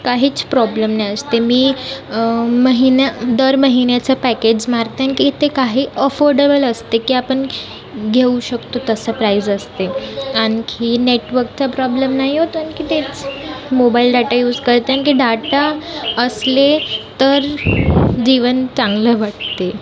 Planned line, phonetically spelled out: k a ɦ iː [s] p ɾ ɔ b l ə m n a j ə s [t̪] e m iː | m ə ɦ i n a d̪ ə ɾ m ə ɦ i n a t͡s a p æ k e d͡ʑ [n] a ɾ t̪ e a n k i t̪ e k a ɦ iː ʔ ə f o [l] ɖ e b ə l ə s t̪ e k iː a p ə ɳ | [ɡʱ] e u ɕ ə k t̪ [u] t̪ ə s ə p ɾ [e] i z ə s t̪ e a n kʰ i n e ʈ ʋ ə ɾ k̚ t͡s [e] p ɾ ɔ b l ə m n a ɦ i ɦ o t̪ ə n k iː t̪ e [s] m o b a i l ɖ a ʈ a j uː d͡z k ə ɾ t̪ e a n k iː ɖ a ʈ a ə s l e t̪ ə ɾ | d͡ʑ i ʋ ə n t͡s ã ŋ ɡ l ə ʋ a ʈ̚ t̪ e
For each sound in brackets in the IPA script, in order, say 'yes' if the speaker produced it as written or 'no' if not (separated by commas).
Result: no, yes, no, no, yes, no, no, no, no